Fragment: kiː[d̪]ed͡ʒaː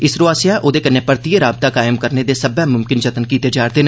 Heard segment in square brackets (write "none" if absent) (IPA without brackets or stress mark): t̪